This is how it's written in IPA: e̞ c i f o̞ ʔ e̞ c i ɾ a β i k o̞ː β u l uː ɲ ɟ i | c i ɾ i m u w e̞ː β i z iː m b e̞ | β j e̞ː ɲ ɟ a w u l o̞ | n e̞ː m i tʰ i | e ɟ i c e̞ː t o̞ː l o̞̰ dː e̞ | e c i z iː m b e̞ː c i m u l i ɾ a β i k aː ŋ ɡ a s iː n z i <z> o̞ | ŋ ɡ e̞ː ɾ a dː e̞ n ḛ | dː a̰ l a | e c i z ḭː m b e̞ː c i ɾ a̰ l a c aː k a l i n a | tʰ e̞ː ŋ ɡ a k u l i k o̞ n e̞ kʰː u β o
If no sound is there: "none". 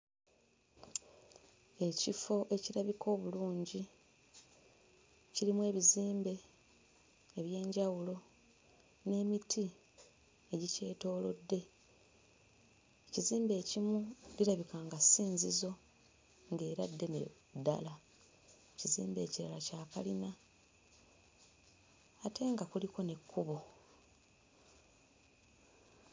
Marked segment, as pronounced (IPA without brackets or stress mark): z